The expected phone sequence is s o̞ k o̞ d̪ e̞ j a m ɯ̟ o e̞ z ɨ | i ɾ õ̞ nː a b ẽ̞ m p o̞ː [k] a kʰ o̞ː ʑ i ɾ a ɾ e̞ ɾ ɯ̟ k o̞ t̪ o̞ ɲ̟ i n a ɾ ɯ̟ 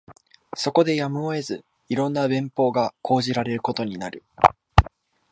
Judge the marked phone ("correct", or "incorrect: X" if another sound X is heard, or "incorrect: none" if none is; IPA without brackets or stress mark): incorrect: ɡ